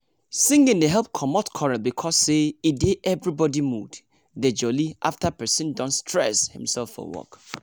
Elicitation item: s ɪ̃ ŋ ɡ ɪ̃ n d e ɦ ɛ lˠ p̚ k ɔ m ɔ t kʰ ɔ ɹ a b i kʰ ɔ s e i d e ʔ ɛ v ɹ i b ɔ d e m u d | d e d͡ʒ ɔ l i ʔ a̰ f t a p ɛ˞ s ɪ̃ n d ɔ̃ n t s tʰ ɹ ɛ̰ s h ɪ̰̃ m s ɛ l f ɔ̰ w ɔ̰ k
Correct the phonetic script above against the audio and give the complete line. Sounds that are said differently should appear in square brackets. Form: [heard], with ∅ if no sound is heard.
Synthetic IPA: s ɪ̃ ŋ ɡ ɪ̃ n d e ɦ ɛ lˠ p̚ [kʰ] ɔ m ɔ t kʰ ɔ ɹ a b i kʰ ɔ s e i d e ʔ ɛ v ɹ i b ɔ d [i] m u d | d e d͡ʒ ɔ l i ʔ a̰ f t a p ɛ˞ s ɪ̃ n d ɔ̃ n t s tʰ ɹ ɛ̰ s h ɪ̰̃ m s ɛ l f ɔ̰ w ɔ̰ k